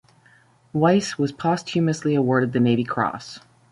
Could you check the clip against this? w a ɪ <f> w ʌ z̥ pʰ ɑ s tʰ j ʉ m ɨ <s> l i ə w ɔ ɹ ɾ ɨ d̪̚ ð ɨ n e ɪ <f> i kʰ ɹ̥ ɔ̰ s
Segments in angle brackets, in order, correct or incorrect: incorrect: s, correct, incorrect: v

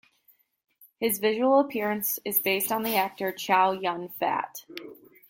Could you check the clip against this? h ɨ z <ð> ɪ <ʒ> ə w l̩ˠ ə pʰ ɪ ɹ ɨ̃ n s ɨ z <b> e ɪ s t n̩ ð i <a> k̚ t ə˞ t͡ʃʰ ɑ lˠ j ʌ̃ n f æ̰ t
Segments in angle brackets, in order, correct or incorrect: incorrect: v, correct, correct, incorrect: æ

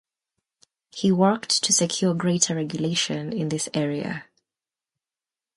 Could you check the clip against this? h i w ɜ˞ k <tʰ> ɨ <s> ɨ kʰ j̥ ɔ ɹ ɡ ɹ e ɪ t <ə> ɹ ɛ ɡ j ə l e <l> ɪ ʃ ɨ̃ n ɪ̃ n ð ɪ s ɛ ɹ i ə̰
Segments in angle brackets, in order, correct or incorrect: correct, correct, correct, incorrect: none

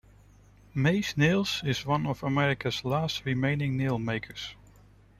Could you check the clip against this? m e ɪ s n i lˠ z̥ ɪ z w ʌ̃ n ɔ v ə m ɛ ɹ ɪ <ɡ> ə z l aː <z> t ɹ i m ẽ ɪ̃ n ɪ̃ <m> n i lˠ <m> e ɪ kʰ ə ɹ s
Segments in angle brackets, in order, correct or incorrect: incorrect: k, incorrect: s, incorrect: ŋ, correct

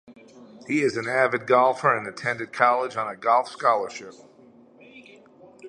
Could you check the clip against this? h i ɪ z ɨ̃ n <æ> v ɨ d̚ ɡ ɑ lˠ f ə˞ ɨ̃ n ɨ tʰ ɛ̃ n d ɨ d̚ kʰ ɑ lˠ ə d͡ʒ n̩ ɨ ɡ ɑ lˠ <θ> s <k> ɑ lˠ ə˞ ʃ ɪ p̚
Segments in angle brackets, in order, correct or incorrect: correct, incorrect: f, correct

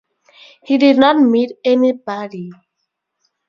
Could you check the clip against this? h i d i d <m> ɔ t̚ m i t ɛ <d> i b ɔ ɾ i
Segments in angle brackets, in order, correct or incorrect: incorrect: n, incorrect: n

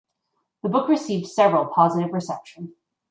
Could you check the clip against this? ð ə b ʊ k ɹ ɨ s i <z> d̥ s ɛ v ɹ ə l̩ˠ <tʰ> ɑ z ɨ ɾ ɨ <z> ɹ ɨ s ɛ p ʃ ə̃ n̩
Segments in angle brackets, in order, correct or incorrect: incorrect: v, incorrect: pʰ, incorrect: v

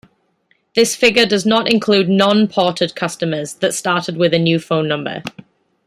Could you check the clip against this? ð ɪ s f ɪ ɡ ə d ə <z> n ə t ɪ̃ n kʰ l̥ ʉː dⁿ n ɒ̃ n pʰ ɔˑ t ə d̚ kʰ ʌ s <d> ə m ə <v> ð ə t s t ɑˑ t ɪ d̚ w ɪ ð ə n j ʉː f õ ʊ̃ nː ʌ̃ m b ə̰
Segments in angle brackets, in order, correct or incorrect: correct, incorrect: t, incorrect: z

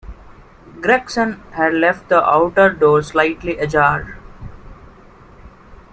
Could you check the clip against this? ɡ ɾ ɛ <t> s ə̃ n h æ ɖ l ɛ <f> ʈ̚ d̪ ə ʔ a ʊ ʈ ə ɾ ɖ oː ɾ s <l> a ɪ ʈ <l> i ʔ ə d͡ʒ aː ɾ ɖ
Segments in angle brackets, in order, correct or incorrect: incorrect: k, correct, correct, correct

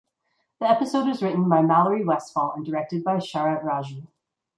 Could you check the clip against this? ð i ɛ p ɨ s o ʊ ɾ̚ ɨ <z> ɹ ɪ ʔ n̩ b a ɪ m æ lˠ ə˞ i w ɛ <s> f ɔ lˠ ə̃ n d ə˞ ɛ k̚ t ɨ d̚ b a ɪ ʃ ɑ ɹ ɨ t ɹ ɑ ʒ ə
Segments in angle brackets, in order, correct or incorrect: correct, correct

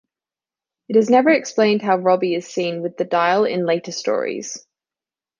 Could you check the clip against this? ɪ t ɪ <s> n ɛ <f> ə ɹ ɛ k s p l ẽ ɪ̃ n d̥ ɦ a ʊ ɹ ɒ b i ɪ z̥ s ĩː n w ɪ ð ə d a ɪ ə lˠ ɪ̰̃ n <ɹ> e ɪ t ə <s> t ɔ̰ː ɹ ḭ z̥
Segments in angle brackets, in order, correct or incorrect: incorrect: z, incorrect: v, incorrect: l, correct

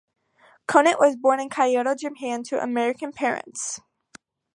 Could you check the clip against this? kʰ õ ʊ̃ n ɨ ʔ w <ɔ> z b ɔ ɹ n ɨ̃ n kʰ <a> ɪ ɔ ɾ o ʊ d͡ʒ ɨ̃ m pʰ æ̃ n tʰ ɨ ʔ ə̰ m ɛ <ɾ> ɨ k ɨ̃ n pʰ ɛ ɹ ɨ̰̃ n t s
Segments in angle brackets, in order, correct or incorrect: incorrect: ʌ, correct, incorrect: ɹ

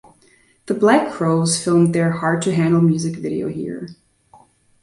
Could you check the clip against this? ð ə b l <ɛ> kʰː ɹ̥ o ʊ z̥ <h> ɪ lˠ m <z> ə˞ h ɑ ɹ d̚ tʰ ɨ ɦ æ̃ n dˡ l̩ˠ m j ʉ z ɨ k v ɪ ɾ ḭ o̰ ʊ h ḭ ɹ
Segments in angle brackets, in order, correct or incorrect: incorrect: æ, incorrect: f, incorrect: ð

